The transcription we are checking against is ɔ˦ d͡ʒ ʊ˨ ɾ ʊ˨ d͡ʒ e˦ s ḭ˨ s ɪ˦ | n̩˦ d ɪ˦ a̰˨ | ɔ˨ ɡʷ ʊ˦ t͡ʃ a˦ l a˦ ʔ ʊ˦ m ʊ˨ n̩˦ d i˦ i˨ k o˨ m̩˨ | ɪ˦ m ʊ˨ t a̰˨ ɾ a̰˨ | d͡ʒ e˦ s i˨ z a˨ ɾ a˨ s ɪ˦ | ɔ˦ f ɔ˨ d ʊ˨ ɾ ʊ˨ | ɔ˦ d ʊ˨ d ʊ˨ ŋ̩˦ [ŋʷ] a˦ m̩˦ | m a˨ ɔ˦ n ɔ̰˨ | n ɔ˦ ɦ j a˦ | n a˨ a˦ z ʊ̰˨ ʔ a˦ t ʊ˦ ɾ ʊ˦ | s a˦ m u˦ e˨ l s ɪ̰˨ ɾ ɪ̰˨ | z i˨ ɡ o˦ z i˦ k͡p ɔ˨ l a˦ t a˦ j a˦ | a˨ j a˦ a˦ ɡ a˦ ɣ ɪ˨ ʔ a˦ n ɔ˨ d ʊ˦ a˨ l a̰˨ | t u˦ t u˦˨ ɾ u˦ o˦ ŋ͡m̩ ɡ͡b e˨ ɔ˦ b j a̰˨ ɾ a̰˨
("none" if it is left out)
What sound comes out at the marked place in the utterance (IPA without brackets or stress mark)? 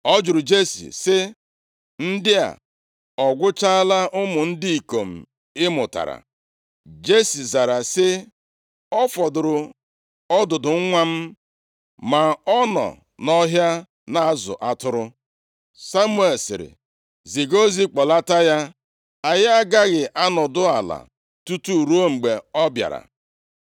ŋʷ